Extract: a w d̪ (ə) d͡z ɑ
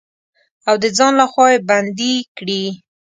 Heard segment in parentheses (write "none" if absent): ə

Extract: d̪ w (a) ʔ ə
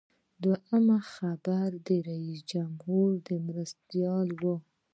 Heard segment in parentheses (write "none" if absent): a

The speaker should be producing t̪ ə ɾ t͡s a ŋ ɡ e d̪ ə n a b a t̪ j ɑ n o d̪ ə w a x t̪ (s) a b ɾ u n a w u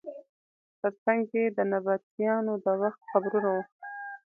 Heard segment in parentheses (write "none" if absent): x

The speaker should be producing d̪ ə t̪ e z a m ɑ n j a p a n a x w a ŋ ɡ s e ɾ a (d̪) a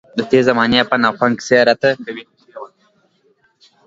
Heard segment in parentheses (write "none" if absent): t̪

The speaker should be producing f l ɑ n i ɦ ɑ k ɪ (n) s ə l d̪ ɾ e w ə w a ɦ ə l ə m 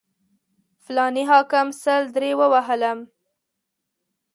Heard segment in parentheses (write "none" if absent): m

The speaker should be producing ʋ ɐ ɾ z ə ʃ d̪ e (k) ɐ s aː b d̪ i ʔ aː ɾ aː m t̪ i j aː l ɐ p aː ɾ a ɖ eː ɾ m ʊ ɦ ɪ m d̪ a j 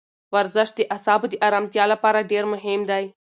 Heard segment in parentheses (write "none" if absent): ʔ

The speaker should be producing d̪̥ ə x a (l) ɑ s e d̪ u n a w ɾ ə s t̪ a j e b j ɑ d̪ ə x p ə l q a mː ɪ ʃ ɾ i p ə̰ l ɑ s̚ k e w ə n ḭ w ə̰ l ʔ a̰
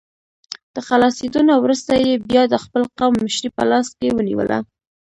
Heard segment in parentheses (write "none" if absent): l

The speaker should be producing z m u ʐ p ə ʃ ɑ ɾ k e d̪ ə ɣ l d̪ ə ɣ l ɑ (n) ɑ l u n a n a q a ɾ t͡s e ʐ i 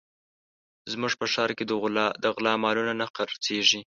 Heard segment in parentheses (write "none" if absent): m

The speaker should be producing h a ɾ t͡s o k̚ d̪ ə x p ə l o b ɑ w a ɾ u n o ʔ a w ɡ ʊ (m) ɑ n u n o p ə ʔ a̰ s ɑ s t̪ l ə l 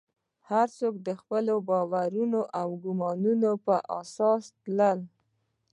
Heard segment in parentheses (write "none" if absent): m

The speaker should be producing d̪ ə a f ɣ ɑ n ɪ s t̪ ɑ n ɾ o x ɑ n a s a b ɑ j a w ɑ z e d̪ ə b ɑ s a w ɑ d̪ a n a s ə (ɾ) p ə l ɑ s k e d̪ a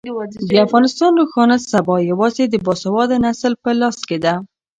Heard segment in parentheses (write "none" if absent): l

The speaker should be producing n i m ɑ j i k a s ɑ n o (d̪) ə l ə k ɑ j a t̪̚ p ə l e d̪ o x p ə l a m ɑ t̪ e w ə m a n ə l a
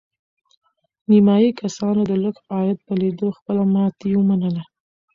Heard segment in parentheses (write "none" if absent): d̪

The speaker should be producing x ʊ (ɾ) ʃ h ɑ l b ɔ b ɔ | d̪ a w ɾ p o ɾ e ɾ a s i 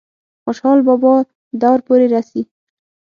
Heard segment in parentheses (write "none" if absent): none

